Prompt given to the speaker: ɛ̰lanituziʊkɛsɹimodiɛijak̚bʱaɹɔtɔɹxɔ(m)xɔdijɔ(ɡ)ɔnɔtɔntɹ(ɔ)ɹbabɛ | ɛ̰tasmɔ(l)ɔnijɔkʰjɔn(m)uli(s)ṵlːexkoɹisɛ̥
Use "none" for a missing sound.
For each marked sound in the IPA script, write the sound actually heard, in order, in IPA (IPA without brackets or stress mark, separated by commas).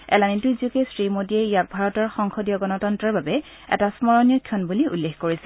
ŋ, ɡ, ɔ, ɹ, b, none